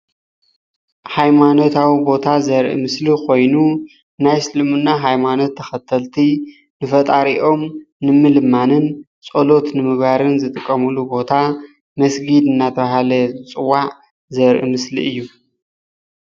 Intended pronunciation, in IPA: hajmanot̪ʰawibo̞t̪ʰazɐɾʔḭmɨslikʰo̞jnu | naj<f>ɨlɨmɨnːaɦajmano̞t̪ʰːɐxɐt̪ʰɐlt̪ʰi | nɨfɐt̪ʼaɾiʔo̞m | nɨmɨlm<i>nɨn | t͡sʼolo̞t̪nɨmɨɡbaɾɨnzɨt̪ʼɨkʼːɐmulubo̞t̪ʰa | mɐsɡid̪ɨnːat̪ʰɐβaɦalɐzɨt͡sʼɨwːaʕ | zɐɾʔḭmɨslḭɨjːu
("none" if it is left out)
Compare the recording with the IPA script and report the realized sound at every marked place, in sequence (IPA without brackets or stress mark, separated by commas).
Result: s, a